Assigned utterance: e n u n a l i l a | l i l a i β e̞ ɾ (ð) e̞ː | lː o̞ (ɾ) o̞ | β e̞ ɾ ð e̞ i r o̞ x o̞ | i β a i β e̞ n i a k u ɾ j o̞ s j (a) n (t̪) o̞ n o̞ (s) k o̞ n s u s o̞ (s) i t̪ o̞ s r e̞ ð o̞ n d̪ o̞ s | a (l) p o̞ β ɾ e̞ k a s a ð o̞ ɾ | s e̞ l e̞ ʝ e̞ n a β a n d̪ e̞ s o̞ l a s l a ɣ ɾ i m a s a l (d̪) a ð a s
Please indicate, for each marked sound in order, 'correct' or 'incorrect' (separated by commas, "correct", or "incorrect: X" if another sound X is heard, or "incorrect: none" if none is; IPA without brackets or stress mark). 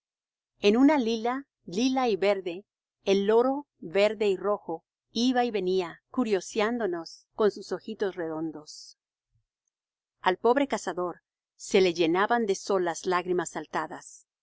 correct, correct, correct, incorrect: d̪, correct, incorrect: x, correct, incorrect: t̪